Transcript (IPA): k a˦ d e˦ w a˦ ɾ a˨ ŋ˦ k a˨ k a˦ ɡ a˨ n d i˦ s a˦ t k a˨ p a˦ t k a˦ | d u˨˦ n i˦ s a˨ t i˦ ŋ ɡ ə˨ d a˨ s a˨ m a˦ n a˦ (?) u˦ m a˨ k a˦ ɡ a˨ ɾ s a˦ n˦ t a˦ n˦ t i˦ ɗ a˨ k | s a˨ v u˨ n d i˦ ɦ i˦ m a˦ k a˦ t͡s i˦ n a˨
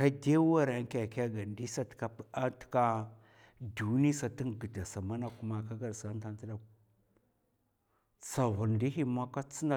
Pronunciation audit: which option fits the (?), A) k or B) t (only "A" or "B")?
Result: A